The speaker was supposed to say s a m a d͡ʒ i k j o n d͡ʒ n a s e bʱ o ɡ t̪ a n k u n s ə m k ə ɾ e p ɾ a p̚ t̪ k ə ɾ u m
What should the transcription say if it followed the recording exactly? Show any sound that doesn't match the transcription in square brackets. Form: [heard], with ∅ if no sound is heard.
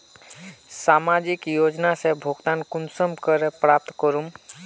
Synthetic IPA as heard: s a m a d͡ʒ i k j o [∅] d͡ʒ n a s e bʱ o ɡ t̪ a n k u n s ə m k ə ɾ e p ɾ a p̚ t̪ k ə ɾ u m